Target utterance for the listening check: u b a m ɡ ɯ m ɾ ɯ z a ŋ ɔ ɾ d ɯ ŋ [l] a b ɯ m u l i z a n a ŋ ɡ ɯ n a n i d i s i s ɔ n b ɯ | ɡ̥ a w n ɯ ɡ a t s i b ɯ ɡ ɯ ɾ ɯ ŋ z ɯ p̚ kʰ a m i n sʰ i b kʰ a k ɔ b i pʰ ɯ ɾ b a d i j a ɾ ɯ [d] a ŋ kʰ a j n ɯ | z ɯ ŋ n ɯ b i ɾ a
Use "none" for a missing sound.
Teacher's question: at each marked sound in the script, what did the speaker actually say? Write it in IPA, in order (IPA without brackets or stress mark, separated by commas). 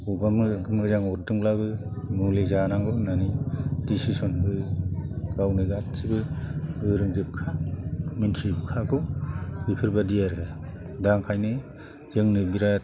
l, d